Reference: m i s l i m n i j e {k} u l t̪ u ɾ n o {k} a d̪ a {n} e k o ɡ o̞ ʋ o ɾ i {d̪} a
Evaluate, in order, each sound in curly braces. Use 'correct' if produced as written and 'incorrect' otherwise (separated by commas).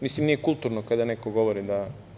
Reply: correct, correct, correct, correct